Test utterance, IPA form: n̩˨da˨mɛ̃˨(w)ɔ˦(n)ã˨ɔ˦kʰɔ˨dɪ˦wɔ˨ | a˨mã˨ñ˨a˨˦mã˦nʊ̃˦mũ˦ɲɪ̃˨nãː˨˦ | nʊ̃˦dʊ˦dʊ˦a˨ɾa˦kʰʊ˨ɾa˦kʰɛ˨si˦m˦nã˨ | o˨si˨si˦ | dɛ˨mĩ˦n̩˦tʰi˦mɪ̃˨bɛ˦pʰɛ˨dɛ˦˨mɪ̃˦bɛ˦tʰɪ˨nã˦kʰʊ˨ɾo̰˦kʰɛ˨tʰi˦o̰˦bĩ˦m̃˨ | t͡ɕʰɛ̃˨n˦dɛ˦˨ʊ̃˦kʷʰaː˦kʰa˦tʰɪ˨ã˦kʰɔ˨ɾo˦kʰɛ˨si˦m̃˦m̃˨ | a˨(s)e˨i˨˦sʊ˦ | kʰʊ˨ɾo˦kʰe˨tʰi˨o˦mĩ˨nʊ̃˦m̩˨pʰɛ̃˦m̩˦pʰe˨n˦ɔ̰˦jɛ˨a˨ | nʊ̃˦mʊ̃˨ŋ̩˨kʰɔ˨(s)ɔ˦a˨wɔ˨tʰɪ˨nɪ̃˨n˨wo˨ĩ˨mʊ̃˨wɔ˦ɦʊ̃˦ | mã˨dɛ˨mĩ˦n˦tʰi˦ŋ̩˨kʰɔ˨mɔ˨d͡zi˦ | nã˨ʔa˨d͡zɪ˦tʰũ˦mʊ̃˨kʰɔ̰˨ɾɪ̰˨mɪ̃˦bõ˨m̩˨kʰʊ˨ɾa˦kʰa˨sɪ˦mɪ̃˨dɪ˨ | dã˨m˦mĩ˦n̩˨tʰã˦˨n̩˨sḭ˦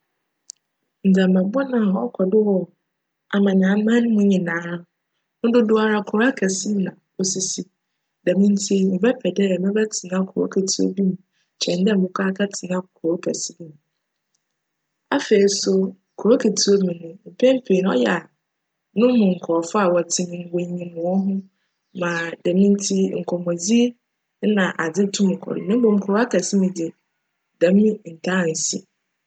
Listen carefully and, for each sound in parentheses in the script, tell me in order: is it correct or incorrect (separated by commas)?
incorrect, correct, incorrect, incorrect